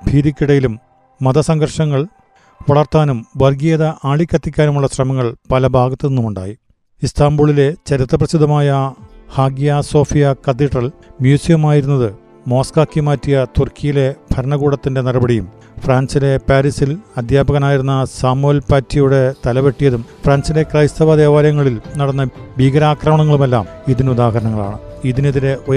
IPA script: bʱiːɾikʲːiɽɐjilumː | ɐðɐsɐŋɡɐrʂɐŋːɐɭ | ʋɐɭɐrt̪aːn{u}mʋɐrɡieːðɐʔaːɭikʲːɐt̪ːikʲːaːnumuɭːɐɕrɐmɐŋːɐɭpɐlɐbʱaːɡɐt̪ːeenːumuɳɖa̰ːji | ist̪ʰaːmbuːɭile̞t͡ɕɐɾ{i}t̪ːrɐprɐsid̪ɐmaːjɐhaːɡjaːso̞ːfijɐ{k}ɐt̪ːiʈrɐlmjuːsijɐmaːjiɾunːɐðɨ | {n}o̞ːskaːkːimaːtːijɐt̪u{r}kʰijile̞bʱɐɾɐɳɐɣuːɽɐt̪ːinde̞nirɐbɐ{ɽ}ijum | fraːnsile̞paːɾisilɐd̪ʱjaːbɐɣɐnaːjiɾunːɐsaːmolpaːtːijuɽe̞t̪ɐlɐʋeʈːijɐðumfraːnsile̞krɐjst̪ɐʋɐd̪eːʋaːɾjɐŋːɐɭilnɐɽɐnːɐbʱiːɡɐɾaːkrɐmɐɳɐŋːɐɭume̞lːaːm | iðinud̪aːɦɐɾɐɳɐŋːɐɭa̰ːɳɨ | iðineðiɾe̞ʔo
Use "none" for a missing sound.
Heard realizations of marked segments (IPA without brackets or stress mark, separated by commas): u, i, k, m, r, ɽ